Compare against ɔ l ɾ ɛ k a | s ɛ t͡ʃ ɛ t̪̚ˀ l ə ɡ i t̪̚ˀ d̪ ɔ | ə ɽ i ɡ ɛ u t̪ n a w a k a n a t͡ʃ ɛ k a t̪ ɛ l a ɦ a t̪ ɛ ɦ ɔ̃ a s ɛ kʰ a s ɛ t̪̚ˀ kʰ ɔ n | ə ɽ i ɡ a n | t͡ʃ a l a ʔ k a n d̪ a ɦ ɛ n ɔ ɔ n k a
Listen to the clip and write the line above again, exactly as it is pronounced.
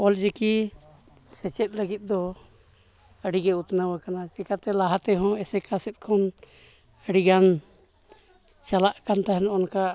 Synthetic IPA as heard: ɔ l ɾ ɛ k i | s ɛ t͡ʃ ɛ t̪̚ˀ l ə ɡ i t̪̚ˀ d̪ ɔ | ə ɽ i ɡ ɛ u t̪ n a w a k a n a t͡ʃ ɛ k a t̪ ɛ l a ɦ a t̪ ɛ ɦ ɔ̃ ɛ s ɛ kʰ a s ɛ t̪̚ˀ kʰ ɔ n | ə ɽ i ɡ a n | t͡ʃ a l a ʔ k a n t̪ a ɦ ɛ n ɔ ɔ n k a

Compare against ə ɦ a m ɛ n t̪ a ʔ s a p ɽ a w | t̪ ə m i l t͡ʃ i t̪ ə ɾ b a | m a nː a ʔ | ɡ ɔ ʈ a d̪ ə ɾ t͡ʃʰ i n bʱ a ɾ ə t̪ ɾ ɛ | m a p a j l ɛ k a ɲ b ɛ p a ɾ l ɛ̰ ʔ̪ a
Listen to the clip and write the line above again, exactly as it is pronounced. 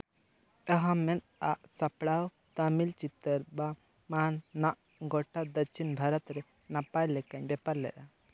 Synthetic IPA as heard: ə ɦ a m ɛ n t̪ a ʔ s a p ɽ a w | t̪ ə m i l t͡ʃ i t̪ ə ɾ b a | m a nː a ʔ | ɡ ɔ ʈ a d̪ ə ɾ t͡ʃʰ i n bʱ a ɾ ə t̪ ɾ ɛ | n a p a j l ɛ k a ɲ b ɛ p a ɾ l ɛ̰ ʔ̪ a

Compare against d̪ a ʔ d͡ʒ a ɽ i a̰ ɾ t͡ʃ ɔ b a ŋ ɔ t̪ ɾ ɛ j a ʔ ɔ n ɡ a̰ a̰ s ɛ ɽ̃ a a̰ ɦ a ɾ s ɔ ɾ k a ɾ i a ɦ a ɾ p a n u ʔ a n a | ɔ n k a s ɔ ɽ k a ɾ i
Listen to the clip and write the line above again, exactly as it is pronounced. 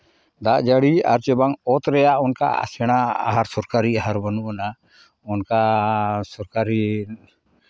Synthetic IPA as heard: d̪ a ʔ d͡ʒ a ɽ i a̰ ɾ t͡ʃ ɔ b a ŋ ɔ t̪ ɾ ɛ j a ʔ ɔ n k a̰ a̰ s ɛ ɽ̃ a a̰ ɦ a ɾ s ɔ ɾ k a ɾ i a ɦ a ɾ b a n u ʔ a n a | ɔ n k a s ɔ ɾ k a ɾ i

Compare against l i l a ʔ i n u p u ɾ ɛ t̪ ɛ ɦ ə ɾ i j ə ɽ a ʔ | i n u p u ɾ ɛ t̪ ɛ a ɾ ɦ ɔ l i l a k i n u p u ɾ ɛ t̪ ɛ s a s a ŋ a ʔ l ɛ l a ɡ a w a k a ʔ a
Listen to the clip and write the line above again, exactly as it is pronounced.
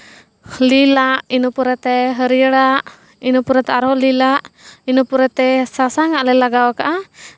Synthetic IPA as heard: l i l a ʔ i n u p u ɾ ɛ t̪ ɛ ɦ ə ɾ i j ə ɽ a ʔ | i n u p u ɾ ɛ t̪ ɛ a ɾ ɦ ɔ l i l a ʔ i n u p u ɾ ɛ t̪ ɛ s a s a ŋ a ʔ l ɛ l a ɡ a w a k a ʔ a

